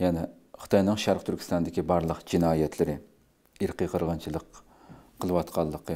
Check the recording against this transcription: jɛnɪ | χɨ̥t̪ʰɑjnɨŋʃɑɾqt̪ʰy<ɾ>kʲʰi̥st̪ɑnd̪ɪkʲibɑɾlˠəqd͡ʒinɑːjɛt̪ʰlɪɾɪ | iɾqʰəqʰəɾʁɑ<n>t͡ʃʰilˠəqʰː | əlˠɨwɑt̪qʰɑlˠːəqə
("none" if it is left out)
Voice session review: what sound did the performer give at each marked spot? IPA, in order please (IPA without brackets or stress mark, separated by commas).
ɾ, n